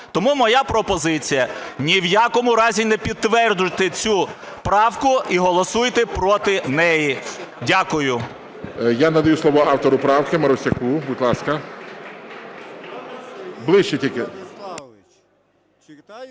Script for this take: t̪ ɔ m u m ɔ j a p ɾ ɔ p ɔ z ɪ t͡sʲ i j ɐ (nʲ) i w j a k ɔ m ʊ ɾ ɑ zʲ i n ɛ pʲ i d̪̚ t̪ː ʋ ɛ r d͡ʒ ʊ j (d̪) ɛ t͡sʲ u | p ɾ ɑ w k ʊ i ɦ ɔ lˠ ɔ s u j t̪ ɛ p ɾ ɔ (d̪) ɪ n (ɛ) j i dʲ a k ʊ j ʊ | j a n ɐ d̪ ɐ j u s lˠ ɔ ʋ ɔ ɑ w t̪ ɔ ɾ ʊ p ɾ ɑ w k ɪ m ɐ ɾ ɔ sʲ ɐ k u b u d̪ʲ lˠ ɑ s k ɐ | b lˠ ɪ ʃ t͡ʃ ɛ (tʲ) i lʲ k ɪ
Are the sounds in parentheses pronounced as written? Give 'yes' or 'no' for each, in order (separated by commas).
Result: yes, no, no, yes, yes